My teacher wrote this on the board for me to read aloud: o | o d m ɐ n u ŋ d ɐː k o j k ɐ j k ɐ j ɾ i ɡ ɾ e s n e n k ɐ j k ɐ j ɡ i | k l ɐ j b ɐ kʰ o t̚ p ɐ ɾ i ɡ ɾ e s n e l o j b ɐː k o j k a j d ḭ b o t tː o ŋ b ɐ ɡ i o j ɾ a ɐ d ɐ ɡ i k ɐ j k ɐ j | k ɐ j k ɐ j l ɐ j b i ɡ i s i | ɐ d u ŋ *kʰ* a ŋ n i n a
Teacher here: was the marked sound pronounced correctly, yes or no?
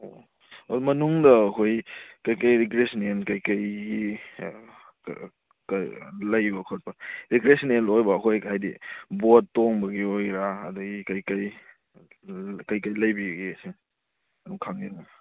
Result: yes